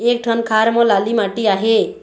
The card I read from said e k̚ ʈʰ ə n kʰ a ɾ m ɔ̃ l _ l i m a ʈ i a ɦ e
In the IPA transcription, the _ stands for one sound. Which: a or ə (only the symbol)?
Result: a